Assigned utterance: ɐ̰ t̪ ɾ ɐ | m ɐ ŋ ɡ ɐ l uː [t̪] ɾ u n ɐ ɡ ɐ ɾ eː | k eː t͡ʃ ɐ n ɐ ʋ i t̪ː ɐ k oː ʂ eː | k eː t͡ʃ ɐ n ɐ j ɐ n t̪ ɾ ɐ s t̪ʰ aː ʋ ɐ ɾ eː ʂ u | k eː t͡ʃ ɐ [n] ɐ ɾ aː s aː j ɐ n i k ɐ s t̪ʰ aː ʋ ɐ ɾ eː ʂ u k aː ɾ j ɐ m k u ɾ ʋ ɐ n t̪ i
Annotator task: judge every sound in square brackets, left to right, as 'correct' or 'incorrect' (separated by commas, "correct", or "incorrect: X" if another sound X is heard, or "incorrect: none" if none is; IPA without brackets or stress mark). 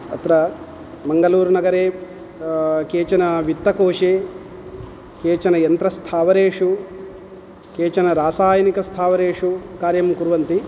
incorrect: none, correct